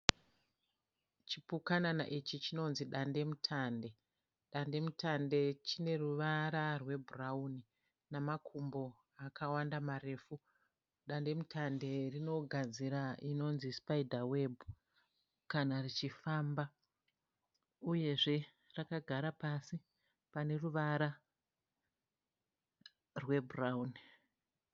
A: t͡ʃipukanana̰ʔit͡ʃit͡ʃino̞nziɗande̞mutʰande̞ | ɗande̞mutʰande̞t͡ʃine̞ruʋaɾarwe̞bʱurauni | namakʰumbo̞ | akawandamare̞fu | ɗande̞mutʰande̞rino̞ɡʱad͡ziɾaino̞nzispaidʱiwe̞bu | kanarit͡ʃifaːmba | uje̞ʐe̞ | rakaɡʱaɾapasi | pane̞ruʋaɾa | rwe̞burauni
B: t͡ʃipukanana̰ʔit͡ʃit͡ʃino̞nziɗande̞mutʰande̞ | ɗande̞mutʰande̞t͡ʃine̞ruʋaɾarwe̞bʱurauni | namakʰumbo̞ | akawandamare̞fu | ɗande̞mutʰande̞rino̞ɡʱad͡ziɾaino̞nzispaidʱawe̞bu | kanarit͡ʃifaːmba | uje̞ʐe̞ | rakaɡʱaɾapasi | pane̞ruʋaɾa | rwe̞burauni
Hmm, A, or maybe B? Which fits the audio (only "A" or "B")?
B